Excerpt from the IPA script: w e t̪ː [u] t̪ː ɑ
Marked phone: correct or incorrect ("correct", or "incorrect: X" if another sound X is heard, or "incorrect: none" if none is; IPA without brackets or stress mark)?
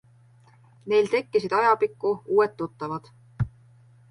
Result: correct